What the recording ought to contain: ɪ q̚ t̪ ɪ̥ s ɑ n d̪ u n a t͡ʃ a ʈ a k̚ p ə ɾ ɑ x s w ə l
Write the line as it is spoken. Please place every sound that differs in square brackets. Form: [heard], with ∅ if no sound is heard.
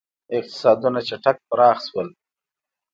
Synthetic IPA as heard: ɪ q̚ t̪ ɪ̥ s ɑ [∅] d̪ u n a t͡ʃ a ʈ a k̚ p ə ɾ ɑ x s w ə l

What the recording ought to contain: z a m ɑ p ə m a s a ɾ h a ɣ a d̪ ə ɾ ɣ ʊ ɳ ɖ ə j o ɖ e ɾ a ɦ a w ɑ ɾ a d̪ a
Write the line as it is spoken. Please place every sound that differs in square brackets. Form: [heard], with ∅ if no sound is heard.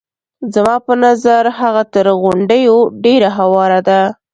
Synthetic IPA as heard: z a m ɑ p ə [n] a [z] a ɾ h a ɣ a [t̪] ə ɾ ɣ ʊ ɳ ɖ ə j o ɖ e ɾ a ɦ a w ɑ ɾ a d̪ a

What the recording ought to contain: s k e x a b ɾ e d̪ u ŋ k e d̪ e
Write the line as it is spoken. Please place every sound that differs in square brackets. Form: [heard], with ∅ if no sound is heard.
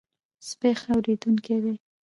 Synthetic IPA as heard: s [p] e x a [w] ɾ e d̪ u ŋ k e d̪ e

